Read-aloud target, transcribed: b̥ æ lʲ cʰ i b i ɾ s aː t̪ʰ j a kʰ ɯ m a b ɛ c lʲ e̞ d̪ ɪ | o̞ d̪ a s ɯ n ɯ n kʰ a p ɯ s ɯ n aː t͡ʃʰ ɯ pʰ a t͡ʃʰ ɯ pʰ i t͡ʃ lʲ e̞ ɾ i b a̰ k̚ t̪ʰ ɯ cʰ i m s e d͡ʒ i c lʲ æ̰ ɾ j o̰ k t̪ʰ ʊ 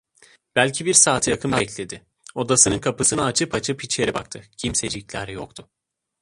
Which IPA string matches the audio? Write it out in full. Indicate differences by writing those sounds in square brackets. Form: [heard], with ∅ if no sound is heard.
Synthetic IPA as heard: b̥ æ lʲ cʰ i b i ɾ s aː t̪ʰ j a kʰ ɯ m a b ɛ c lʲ e̞ d̪ ɪ | o̞ d̪ a s ɯ n ɯ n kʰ a p ɯ s ɯ n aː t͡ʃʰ ɯ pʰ a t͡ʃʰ ɯ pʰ i t͡ʃ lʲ e̞ ɾ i b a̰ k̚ t̪ʰ ɯ cʰ i m s e d͡ʒ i c lʲ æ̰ ɾ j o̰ k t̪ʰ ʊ